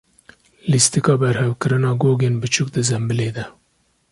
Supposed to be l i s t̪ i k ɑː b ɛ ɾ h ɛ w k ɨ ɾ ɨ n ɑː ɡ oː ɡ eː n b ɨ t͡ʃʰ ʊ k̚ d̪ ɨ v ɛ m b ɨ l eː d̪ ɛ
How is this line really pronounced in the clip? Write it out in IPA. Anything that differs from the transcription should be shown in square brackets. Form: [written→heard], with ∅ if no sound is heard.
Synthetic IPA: l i s t̪ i k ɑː b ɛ ɾ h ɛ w k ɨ ɾ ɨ n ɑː ɡ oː ɡ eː n b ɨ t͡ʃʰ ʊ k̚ d̪ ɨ [v→z] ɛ m b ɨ l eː d̪ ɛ

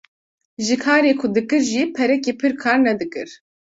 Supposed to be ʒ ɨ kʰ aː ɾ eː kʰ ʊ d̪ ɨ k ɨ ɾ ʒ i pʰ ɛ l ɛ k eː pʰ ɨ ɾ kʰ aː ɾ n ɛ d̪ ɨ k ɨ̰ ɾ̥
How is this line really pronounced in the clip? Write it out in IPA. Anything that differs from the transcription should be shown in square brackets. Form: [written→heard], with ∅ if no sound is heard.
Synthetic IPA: ʒ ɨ kʰ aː ɾ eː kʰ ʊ d̪ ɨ k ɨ ɾ ʒ i pʰ ɛ [l→ɾ] ɛ k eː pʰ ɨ ɾ kʰ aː ɾ n ɛ d̪ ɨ k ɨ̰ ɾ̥

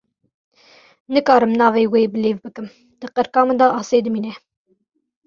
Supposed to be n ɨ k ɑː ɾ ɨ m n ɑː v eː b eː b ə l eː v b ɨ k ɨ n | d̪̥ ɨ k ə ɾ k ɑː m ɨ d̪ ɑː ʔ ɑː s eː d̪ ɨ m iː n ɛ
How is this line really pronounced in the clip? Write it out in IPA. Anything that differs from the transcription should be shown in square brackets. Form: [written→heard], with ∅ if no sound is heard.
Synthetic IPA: n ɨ k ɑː ɾ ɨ m n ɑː v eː [b→w] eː b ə l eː v b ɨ k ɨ [n→m] | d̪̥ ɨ [k→q] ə ɾ k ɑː m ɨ d̪ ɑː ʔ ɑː s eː d̪ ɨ m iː n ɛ

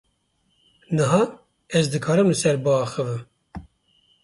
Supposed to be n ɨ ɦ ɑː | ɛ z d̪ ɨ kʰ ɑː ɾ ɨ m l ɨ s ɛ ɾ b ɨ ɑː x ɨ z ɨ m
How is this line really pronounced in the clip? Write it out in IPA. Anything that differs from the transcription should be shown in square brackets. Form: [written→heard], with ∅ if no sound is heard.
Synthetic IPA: n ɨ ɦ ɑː | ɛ z d̪ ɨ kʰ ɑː ɾ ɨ m l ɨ s ɛ ɾ b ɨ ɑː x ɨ [z→v] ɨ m

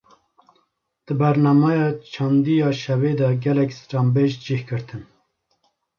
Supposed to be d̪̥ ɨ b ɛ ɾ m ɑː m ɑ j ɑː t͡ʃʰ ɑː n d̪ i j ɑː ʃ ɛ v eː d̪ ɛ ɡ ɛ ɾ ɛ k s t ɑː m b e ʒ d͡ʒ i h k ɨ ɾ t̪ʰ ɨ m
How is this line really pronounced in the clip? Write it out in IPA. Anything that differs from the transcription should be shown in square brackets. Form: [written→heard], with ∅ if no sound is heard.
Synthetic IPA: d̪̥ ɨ b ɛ ɾ [m→n] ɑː m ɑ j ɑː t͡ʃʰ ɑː n d̪ i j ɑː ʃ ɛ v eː d̪ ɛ ɡ ɛ [ɾ→l] ɛ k s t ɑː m b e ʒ d͡ʒ i h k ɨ ɾ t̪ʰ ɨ [m→n]

